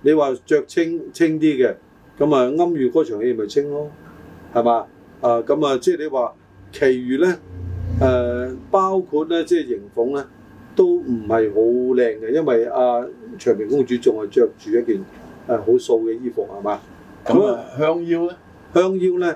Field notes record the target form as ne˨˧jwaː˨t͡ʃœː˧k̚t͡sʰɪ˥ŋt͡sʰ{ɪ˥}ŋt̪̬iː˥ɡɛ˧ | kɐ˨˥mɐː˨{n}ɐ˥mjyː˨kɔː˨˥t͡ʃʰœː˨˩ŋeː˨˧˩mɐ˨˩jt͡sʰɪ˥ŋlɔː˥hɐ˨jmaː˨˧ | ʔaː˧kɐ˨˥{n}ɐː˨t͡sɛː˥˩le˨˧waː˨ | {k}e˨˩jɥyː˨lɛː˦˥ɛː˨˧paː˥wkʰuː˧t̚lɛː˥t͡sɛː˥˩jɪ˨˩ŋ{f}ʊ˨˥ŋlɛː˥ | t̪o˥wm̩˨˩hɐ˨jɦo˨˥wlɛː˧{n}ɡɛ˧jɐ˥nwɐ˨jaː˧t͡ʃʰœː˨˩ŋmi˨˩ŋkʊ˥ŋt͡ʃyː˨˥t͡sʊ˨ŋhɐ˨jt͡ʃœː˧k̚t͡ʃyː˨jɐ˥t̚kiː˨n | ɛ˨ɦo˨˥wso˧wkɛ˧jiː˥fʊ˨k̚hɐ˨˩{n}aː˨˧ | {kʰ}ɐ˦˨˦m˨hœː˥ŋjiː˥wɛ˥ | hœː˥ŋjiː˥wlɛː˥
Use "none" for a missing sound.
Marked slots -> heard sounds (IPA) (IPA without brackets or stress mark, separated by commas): ɪ˥, ŋ, m, kʰ, f, ŋ, m, k